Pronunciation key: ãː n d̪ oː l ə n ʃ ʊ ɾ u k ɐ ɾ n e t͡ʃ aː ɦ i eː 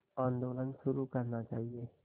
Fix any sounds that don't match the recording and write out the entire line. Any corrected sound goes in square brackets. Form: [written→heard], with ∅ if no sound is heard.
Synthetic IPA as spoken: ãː n d̪ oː l ə n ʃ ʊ ɾ u k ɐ ɾ n [e→a] t͡ʃ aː ɦ i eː